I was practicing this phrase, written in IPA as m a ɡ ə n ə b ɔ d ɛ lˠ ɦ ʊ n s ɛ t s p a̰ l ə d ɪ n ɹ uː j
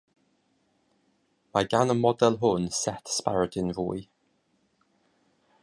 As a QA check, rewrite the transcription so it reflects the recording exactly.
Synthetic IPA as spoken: m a ɡ a n ə m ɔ d ɛ lˠ ɦ ʊ n s ɛ t s p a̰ ɹ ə d ɪ n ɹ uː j